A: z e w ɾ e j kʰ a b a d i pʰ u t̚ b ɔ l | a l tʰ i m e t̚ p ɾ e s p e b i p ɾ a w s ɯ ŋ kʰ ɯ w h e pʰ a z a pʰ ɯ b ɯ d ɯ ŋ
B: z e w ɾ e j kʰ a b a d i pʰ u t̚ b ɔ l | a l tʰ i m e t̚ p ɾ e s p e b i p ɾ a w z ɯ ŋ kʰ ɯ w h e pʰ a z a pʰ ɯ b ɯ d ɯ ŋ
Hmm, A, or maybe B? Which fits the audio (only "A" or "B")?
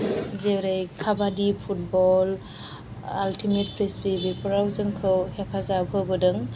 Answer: B